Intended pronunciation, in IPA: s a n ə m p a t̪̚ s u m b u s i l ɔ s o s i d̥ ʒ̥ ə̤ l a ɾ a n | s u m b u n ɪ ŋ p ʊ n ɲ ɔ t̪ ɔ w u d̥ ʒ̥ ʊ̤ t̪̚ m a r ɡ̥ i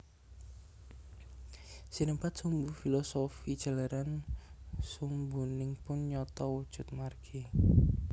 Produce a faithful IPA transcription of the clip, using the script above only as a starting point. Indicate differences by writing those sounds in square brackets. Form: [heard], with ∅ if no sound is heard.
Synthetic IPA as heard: s [i] n ə m p a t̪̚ s u m b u [f] i l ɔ s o [f] i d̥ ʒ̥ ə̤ l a ɾ a n | s u m b u n ɪ ŋ p ʊ n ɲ ɔ t̪ ɔ w u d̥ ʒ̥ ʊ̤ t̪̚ m a r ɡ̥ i